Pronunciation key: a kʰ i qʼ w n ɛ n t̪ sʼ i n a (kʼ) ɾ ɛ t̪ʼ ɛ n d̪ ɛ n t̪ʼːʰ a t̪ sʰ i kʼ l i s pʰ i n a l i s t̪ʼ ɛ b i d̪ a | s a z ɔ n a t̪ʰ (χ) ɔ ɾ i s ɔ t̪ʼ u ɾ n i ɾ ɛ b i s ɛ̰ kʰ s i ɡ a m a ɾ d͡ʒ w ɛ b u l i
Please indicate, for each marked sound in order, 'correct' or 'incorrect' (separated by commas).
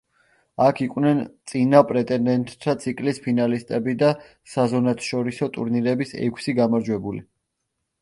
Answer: incorrect, incorrect